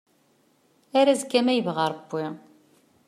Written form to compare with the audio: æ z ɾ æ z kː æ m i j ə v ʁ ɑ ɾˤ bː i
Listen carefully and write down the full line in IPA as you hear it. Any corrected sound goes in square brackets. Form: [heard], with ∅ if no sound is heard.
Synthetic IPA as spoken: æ [∅] ɾ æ z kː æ m [æ] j ə v ʁ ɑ ɾˤ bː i